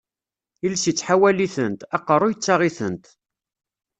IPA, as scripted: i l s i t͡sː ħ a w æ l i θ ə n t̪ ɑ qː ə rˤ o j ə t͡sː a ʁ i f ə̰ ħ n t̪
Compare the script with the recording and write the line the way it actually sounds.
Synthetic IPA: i l s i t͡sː ħ a w æ l i θ ə n t̪ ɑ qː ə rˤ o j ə t͡sː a ʁ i θ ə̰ n t̪